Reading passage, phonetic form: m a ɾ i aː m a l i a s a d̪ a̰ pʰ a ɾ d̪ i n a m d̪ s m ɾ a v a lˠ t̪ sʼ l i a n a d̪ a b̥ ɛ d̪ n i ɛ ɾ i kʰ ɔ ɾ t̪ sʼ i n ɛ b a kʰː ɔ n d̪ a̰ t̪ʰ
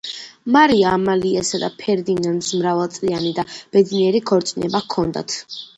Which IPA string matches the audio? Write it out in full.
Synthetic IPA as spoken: m a ɾ i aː m a l i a s a d̪ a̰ pʰ ɛ ɾ d̪ i n a n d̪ s m ɾ a v a lˠ t̪ sʼ l i a n i d̪ a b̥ ɛ d̪ n i ɛ ɾ i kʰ ɔ ɾ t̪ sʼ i n ɛ b a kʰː ɔ n d̪ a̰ t̪ʰ